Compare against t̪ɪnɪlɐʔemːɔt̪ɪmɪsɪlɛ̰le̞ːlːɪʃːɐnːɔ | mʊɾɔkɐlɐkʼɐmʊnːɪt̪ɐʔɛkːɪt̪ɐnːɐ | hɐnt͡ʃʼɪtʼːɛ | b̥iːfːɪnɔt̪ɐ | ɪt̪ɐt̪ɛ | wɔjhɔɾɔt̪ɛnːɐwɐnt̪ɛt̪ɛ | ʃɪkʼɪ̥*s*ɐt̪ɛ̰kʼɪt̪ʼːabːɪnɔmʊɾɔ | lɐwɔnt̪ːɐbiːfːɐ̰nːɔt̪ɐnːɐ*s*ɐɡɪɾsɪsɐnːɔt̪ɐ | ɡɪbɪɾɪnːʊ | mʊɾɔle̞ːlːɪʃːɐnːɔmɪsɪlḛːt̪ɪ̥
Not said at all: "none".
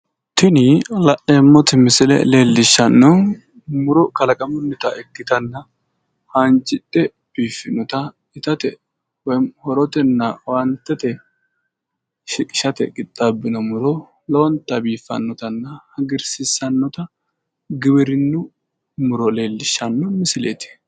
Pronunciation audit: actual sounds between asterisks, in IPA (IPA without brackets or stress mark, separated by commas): ʃ, h